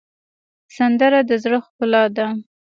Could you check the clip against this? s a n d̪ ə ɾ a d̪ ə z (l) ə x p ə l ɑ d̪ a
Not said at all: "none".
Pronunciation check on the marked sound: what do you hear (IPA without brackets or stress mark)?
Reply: ɽ